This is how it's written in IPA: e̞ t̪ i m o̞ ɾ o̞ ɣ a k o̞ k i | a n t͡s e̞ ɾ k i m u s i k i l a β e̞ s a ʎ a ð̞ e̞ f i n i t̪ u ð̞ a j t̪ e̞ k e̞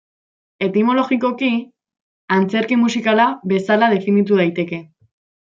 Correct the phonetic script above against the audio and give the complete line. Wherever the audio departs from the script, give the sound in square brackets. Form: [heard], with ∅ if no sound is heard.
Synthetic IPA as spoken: e̞ t̪ i m o̞ [l] o̞ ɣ [i] k o̞ k i | a n t͡s e̞ ɾ k i m u s i k [a] l a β e̞ s a [l] a ð̞ e̞ f i n i t̪ u ð̞ a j t̪ e̞ k e̞